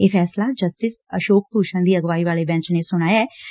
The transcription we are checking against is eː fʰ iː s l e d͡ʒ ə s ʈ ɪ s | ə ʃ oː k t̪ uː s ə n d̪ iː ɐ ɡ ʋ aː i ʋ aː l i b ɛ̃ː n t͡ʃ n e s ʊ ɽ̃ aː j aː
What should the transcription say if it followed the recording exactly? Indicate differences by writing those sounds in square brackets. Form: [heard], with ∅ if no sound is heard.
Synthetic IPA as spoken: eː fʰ [ɛː] s l [a] d͡ʒ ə s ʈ ɪ s | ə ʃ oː k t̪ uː [ʃ] ə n d̪ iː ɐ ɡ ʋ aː i ʋ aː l [e] b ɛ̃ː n t͡ʃ n e s ʊ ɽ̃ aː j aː